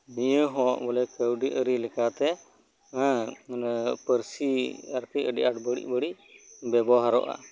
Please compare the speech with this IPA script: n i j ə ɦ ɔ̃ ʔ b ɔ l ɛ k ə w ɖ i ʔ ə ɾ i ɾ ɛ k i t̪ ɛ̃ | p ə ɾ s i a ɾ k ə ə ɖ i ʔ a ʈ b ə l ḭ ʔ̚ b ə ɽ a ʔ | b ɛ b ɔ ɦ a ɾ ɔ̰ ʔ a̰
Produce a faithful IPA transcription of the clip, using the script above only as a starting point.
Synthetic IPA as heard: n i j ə ɦ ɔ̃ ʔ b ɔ l ɛ k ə w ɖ i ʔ ə ɾ i l ɛ k a t̪ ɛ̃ | p ə ɾ s i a ɾ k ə ə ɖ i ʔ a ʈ b ə ɽ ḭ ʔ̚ b ə ɽ i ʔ | b ɛ b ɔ ɦ a ɾ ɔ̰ ʔ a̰